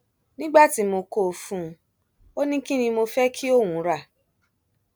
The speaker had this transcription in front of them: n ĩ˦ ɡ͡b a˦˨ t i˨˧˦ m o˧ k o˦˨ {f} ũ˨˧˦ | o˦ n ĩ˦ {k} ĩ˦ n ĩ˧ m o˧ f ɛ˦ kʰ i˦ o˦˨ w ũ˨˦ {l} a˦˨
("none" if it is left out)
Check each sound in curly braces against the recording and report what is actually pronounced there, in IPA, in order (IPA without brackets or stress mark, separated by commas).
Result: f, k, ɾ